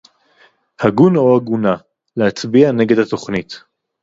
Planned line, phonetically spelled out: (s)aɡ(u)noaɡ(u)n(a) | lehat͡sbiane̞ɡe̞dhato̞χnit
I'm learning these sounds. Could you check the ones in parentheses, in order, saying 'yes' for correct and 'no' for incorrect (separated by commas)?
no, yes, yes, yes